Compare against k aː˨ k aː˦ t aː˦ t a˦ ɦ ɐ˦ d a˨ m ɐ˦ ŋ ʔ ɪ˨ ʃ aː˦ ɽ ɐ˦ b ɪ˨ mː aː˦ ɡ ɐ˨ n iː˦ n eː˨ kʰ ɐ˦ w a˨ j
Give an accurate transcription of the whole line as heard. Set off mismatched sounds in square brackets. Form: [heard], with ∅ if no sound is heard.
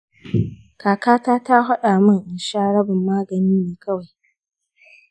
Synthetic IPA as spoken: k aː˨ k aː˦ t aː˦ t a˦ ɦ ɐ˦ [ɗ] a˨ m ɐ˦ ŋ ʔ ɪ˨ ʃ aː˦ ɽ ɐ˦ b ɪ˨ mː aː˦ ɡ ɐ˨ n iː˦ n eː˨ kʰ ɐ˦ w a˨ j